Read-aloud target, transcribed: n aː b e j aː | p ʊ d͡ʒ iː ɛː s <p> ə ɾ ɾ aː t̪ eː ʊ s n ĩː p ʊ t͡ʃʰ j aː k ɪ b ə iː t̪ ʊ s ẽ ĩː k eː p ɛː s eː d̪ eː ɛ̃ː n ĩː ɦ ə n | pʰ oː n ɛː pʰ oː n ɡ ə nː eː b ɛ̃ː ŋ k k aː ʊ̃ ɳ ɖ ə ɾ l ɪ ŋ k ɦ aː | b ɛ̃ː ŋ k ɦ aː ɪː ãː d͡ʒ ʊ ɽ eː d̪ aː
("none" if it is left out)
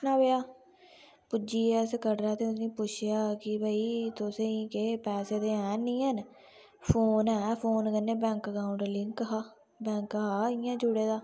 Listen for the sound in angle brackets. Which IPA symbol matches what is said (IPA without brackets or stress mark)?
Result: k